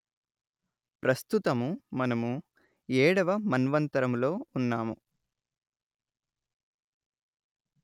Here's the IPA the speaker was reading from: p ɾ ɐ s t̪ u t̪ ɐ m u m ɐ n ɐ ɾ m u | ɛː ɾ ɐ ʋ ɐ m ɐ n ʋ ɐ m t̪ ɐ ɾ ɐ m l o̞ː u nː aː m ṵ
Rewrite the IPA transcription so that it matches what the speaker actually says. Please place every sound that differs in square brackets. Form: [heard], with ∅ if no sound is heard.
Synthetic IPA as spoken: p ɾ ɐ s t̪ u t̪ ɐ m u m ɐ n ɐ [∅] m u | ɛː [ɽ] ɐ ʋ ɐ m ɐ n ʋ ɐ [n] t̪ ɐ ɾ ɐ m l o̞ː u nː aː m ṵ